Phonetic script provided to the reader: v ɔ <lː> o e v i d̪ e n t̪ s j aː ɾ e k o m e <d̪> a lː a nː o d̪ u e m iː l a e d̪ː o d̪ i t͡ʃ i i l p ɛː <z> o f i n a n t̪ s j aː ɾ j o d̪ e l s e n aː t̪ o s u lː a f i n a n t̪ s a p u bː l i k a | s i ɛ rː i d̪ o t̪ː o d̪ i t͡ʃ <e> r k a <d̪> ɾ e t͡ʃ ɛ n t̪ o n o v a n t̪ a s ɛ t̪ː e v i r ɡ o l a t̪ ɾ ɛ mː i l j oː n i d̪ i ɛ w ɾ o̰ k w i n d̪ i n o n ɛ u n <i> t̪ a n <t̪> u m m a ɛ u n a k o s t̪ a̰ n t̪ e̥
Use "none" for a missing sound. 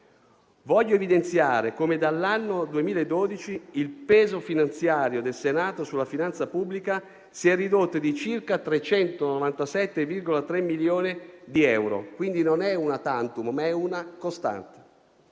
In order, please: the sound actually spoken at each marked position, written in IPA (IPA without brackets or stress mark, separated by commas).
ʎː, d̪, z, i, t̪, a, t̪